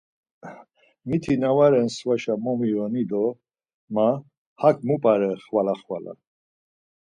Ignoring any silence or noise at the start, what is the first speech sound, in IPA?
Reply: m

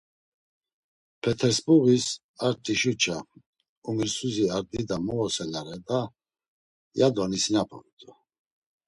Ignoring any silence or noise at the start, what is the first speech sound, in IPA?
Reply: pʰ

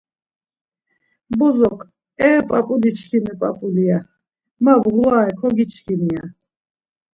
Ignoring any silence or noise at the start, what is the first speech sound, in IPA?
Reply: b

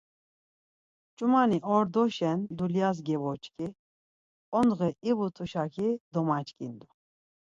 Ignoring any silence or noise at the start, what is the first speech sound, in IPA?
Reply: t͡ʃʼ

